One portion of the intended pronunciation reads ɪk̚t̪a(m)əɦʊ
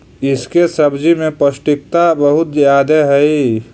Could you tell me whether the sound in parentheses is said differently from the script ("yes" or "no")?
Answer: yes